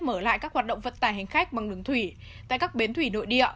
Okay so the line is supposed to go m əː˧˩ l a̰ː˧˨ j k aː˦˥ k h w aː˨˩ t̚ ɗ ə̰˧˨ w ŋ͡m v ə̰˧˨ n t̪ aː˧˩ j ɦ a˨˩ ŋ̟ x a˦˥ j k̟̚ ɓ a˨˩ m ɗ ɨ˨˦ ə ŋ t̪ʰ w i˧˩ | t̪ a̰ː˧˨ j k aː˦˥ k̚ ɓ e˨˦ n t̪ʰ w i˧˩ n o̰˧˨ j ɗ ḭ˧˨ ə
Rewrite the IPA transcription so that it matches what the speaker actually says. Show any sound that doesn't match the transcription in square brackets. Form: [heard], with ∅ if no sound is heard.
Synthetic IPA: m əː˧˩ l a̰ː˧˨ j k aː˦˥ k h w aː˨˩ t̚ ɗ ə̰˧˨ w ŋ͡m v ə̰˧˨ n t̪ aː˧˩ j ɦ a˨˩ ŋ̟ x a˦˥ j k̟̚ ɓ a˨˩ [ŋ] ɗ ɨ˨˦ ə ŋ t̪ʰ w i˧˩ | t̪ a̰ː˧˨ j k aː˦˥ k̚ ɓ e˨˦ n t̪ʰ w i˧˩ n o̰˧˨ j ɗ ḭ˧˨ ə